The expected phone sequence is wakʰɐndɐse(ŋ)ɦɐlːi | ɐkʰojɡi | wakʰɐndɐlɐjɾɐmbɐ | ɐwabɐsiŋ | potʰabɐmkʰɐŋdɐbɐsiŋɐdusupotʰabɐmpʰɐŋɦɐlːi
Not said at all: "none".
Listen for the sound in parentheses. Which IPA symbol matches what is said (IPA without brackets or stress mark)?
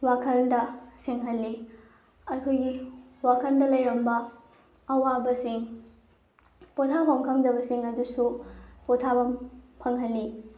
ŋ